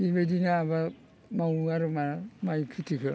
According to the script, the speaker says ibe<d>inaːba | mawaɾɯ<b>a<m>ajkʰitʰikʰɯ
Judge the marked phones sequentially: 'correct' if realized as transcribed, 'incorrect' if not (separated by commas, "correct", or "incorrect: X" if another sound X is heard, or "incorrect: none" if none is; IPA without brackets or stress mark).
correct, incorrect: m, correct